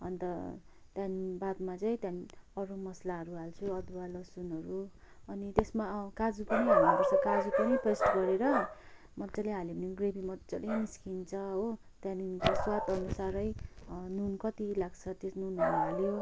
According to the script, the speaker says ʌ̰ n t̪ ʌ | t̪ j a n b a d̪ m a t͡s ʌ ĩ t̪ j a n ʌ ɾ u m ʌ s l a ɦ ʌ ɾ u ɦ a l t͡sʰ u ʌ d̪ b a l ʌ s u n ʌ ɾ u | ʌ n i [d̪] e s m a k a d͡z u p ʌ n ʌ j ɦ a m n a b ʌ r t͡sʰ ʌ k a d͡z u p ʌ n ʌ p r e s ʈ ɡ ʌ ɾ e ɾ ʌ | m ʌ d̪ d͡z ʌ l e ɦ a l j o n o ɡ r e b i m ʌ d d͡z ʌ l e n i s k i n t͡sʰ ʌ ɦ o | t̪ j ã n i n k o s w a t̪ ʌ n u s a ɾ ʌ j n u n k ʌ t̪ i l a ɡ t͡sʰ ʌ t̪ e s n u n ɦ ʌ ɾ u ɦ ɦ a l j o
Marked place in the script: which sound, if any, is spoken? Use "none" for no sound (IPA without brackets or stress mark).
t̪